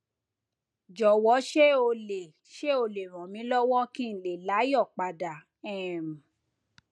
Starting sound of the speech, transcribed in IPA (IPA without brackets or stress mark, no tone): d͡ʒ